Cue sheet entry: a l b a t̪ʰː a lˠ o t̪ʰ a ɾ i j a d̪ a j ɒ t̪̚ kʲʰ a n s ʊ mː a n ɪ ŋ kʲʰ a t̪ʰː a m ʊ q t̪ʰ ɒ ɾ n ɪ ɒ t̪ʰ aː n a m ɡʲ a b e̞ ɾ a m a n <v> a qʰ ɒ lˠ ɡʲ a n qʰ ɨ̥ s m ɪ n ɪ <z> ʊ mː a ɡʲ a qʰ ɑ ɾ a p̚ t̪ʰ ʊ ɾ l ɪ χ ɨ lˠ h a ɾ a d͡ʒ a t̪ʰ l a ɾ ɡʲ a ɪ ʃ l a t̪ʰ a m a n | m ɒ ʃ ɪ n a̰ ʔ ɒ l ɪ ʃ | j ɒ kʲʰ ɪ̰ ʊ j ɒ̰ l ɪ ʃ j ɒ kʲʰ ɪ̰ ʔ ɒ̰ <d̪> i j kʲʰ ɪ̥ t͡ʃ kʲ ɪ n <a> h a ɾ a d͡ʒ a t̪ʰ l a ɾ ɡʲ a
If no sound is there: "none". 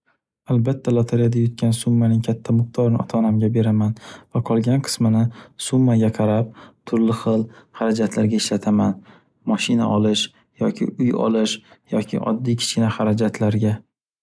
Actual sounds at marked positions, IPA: v, s, d̪ː, a

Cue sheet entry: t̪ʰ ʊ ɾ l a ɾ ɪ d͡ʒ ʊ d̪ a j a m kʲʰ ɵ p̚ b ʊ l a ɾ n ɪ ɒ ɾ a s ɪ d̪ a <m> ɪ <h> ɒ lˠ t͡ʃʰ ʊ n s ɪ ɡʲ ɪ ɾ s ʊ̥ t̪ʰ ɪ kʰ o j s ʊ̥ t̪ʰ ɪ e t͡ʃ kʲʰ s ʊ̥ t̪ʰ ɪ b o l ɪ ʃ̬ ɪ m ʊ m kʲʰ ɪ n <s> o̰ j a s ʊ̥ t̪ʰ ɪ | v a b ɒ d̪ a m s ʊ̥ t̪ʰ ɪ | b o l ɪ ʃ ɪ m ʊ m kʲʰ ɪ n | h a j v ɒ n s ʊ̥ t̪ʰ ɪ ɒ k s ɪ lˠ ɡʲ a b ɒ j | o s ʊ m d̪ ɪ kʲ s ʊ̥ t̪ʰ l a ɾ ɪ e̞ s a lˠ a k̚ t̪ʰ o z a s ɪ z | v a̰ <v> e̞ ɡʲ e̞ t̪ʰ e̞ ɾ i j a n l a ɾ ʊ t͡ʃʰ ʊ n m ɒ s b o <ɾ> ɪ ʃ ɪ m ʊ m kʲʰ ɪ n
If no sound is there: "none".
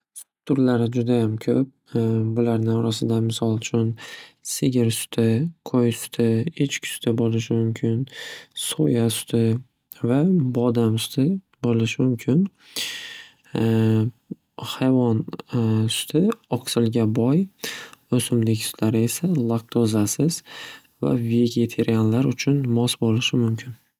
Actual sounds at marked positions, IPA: m, s, s, v, l

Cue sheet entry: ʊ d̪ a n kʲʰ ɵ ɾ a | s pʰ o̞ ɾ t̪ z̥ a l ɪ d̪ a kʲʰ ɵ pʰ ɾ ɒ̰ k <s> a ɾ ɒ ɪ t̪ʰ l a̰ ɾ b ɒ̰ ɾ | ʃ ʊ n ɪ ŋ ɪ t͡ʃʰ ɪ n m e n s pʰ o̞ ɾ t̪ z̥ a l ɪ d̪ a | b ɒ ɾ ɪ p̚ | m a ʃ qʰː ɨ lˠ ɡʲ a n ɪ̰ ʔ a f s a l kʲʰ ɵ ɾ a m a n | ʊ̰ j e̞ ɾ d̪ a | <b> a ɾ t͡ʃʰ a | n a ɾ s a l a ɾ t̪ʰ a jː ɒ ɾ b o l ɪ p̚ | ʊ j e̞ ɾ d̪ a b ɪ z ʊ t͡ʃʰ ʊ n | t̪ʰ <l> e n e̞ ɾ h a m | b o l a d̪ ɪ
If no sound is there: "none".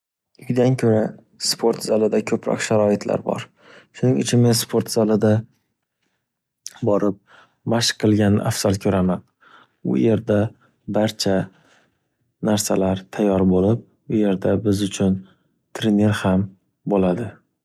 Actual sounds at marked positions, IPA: ʃ, b, ɾ

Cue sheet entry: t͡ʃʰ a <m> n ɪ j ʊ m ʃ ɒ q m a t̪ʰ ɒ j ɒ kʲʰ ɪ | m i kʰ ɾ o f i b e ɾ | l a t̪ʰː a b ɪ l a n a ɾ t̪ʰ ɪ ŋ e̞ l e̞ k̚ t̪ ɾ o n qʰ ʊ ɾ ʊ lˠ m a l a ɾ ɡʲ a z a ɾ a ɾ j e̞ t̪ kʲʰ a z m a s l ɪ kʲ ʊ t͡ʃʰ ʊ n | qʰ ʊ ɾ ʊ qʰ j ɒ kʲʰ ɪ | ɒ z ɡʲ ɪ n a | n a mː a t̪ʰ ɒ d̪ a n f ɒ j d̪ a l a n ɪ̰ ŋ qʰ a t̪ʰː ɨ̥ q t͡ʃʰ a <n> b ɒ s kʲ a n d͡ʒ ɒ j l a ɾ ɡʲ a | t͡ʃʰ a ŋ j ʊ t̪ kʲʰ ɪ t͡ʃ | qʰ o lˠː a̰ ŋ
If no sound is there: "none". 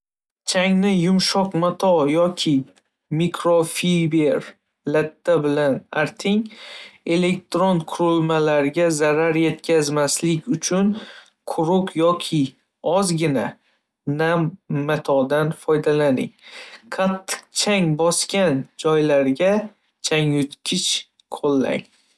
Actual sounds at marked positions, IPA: ŋ, ŋ

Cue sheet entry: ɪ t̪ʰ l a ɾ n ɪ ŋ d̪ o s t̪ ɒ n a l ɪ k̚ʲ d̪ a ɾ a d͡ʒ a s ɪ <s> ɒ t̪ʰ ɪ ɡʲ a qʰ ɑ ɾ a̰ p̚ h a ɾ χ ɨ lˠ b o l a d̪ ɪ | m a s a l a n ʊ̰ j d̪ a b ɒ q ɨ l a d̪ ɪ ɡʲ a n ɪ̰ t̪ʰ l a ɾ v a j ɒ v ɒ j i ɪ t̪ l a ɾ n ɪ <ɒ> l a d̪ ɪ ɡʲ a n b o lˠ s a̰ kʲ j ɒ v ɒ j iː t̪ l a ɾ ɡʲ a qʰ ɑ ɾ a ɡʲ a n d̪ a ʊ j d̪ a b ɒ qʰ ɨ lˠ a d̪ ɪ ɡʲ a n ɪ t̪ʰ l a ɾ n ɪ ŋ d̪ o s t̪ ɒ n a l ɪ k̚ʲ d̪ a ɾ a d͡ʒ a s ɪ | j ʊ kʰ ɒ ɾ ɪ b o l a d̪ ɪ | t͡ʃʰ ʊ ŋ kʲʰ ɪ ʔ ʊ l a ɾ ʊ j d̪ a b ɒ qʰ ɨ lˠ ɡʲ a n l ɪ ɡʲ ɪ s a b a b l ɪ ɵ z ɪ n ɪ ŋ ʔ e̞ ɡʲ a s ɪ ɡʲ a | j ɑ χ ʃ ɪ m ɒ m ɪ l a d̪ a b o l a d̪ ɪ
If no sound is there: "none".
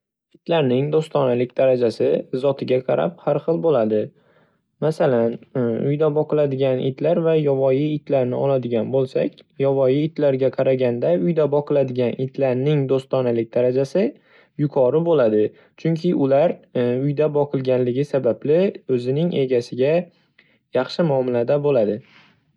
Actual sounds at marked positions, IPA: z, ɒ

